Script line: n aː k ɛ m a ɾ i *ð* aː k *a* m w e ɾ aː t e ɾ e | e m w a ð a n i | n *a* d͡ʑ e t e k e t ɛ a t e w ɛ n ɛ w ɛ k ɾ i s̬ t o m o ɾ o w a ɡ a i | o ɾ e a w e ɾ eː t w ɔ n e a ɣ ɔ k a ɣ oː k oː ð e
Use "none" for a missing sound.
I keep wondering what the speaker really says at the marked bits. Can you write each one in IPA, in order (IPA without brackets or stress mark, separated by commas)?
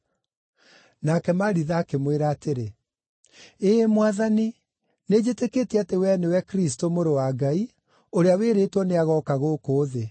ð, e, e